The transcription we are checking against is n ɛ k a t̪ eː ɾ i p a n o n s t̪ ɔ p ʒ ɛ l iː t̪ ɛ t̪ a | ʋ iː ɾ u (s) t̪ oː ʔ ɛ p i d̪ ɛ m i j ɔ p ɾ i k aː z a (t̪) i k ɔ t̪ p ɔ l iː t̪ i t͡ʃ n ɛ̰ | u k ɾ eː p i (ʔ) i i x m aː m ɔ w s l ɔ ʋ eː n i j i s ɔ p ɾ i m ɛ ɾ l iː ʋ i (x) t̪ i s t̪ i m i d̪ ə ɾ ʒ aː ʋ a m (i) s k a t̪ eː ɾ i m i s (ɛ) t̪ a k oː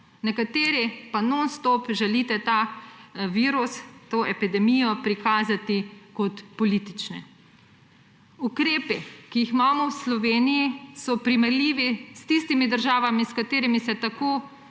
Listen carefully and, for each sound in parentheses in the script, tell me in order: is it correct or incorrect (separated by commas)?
correct, correct, incorrect, incorrect, correct, correct